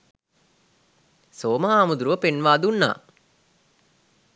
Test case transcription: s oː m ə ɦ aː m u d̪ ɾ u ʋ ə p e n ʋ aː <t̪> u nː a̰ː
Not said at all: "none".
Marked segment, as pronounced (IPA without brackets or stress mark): d̪